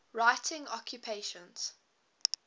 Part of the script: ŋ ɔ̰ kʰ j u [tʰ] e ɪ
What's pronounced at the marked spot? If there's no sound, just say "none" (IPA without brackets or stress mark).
pʰ